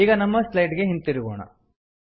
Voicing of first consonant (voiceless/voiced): voiced